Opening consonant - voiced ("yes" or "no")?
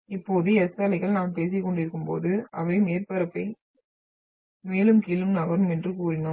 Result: no